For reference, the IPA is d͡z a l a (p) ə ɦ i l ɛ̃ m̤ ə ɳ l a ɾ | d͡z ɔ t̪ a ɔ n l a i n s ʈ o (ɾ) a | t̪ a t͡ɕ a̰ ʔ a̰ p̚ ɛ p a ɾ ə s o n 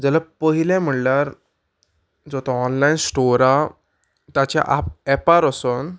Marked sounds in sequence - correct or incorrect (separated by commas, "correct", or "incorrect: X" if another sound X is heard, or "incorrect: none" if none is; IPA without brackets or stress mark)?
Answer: correct, correct